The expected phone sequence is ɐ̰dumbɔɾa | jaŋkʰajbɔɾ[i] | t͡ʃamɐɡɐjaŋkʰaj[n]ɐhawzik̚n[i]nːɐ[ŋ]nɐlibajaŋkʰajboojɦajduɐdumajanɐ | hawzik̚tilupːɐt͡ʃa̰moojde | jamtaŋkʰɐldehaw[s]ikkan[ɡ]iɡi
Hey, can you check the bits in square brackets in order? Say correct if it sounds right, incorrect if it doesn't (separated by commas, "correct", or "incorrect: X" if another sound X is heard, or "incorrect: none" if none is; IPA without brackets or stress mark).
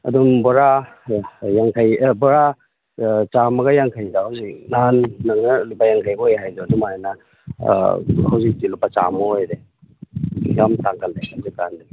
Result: incorrect: a, incorrect: d, incorrect: a, correct, incorrect: z, incorrect: d